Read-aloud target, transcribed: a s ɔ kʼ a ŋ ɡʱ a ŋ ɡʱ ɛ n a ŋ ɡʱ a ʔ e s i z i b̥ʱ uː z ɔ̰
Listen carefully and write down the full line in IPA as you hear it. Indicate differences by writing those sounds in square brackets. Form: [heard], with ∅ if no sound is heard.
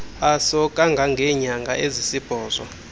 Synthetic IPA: a s ɔ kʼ a ŋ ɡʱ a ŋ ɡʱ ɛ [ɲ] a ŋ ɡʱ a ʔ e [z] i [s] i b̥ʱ [ɔː] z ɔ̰